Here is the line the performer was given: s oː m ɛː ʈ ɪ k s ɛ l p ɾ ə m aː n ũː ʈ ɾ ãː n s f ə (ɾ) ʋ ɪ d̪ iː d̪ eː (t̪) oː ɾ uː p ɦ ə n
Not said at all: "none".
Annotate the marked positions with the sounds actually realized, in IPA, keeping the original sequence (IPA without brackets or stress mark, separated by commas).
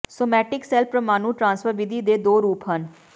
ɾ, d̪